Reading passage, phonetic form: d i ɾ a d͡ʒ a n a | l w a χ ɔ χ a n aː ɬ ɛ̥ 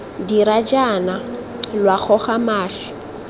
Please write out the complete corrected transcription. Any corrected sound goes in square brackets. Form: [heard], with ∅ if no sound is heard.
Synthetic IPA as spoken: d i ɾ a d͡ʒ a n a | l w a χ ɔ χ a [m] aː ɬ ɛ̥